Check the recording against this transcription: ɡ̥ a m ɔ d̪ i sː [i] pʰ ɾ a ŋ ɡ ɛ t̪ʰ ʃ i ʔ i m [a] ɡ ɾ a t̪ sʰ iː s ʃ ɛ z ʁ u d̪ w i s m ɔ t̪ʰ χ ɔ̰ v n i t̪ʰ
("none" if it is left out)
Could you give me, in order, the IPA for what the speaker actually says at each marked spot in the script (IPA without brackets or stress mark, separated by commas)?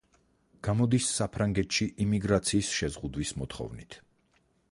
a, i